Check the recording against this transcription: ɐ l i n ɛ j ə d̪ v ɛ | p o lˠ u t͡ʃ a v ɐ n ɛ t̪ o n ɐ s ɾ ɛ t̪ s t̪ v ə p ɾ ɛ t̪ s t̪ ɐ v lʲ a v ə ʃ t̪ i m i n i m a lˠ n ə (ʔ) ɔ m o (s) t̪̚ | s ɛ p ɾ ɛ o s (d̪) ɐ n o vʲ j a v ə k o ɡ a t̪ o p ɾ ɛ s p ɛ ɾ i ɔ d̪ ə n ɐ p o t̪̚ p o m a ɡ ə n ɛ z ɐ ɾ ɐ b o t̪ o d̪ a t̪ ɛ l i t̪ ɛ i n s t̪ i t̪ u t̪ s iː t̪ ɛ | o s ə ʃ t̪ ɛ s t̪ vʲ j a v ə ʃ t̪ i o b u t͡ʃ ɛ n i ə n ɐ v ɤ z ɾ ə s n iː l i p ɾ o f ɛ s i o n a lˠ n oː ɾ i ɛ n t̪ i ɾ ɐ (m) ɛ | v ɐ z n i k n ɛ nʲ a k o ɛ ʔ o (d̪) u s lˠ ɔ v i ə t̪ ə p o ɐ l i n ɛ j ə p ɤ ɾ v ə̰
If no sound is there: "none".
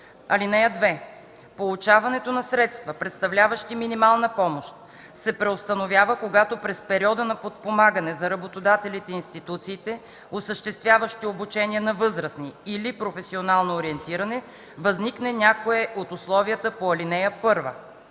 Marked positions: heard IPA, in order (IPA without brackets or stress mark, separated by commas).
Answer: p, ʃ, t̪, n, t̪